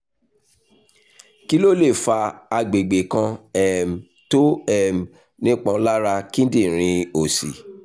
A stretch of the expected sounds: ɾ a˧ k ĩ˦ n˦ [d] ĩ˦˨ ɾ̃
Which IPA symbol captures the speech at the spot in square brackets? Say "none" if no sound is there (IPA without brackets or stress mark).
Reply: d